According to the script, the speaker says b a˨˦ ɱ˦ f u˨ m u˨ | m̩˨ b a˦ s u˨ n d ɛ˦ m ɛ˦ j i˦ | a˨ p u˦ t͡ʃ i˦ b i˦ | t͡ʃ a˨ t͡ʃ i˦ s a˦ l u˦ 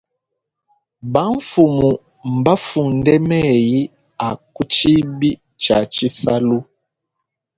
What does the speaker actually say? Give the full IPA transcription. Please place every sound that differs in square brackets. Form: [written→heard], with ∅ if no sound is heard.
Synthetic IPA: b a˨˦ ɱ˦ f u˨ m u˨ | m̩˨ b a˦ [s→f] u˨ n d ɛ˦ m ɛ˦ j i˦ | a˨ [p→k] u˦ t͡ʃ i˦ b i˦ | t͡ʃ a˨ t͡ʃ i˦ s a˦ l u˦